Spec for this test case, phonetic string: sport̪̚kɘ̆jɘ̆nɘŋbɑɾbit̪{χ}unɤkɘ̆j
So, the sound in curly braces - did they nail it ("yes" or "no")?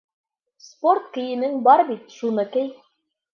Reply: no